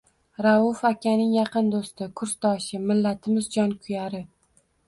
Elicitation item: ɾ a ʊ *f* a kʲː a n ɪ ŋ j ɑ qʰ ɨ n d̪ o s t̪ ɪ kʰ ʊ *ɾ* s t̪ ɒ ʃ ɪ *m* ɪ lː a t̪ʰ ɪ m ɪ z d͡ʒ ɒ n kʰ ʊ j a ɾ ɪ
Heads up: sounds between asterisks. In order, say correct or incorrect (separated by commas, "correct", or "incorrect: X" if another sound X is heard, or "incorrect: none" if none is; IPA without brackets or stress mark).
correct, correct, correct